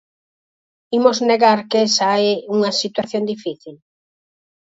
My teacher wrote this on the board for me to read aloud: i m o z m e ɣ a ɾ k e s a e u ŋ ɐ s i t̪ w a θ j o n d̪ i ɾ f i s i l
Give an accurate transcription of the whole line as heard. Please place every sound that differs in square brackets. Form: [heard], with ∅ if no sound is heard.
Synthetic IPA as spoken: i m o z [n] e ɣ a ɾ k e s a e u ŋ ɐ s i t̪ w a θ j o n d̪ i [∅] f i [θ] i l